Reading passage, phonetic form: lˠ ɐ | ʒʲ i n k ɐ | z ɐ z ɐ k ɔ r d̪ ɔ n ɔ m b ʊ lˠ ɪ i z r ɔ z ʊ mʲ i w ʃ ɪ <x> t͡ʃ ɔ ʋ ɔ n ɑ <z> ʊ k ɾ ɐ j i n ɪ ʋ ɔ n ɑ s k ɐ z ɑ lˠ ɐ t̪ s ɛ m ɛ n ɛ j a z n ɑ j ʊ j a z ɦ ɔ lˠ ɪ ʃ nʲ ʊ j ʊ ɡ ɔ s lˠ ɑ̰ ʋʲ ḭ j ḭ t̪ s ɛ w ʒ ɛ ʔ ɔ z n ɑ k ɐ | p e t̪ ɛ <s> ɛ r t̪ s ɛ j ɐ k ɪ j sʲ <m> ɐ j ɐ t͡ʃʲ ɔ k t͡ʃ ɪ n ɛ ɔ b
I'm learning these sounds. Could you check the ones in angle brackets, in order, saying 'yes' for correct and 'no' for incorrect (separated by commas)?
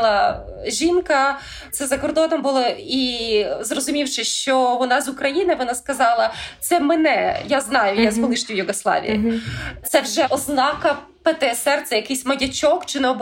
no, yes, yes, yes